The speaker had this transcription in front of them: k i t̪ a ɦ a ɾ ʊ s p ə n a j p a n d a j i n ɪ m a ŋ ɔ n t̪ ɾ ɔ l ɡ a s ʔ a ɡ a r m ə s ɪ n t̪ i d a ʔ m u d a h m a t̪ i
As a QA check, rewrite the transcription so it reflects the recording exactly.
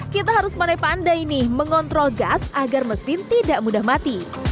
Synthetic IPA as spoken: k i t̪ a ɦ a ɾ ʊ s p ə n a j p a n d a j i n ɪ m ə ŋ ɔ n t̪ ɾ ɔ l ɡ a s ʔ a ɡ a r m ə s ɪ n t̪ i d a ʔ m u d a h m a t̪ i